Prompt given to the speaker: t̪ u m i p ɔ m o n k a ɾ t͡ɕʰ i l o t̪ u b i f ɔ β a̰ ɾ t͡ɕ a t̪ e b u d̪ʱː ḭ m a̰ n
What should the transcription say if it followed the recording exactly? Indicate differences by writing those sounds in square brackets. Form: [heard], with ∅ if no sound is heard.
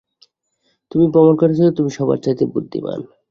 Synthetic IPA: t̪ u m i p ɔ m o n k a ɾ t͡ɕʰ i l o t̪ u [m] i [ʃ] ɔ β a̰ ɾ t͡ɕ a t̪ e b u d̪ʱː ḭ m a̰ n

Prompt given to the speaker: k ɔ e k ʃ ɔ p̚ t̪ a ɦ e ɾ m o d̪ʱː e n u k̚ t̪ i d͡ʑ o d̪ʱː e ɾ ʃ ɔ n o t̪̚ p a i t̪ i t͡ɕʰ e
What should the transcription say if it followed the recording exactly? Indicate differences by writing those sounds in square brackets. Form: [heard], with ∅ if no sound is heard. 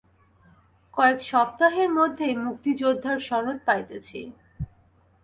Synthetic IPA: k ɔ e k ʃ ɔ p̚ t̪ a ɦ e ɾ m o d̪ʱː e [m] u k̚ t̪ i d͡ʑ o d̪ʱː [a] ɾ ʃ ɔ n o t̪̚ p a [j] t̪ [e] t͡ɕʰ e

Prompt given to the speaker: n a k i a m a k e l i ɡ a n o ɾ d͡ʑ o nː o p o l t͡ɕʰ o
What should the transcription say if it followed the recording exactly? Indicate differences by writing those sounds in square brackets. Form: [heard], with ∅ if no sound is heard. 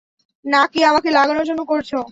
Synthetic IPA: n a k i a m a k e l [a] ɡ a n o ɾ d͡ʑ o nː o [k] o [ɾ] t͡ɕʰ o

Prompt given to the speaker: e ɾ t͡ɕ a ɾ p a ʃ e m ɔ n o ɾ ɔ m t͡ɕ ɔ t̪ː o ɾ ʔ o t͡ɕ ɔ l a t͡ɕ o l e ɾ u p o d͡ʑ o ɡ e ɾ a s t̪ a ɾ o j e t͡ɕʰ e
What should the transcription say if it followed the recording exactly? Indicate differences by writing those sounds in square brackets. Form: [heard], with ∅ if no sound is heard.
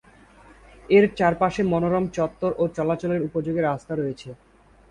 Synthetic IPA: e ɾ t͡ɕ a ɾ p a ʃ e m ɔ n o ɾ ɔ m t͡ɕ ɔ t̪ː o ɾ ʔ o t͡ɕ ɔ l a t͡ɕ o l e ɾ u p o d͡ʑ o ɡ e ɾ a s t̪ a ɾ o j e t͡ɕʰ e

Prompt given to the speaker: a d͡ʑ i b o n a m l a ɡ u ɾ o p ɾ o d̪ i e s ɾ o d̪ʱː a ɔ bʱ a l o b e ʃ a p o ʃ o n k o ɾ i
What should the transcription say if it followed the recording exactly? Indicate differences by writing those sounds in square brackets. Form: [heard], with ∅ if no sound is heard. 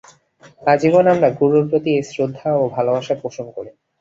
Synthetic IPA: a d͡ʑ i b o n a m [ɾ] a ɡ u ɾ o p ɾ o [t̪] i e s ɾ o d̪ʱː a [o] bʱ a l o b [a] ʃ a p o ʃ o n k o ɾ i

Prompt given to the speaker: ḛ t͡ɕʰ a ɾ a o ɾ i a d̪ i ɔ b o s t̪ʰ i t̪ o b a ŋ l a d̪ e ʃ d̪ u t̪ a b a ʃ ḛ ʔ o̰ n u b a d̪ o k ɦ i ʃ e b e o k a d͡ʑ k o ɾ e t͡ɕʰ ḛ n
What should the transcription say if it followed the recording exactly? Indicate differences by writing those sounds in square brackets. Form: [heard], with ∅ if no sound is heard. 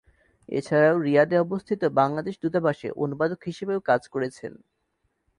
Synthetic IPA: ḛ t͡ɕʰ a ɾ a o ɾ i a d̪ [e] ɔ b o s t̪ʰ i t̪ o b a ŋ l a d̪ e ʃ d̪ u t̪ a b a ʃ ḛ ʔ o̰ n u b a d̪ o k ɦ i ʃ e b e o k a d͡ʑ k o ɾ e t͡ɕʰ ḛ n

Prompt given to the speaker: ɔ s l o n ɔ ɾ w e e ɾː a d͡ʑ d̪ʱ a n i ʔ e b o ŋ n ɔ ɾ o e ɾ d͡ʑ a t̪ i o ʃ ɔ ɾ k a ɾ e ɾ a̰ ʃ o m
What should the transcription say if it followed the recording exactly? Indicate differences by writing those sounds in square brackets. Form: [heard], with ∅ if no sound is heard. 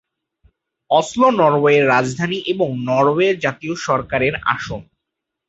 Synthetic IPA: ɔ s l o n ɔ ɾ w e e ɾː a d͡ʑ d̪ʱ a n i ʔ e b o ŋ n ɔ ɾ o e ɾ d͡ʑ a t̪ i o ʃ ɔ ɾ k a ɾ e ɾ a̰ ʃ o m

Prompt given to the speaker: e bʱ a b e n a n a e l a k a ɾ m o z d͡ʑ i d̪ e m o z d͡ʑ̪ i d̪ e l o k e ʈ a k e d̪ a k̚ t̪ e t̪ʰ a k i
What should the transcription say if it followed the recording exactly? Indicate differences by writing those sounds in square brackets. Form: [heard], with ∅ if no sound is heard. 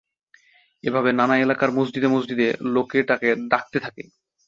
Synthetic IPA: e bʱ a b e n a n a e l a k a ɾ m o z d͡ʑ i d̪ e m o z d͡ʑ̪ i d̪ e l o k e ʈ a k e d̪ a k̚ t̪ e t̪ʰ a k [e]

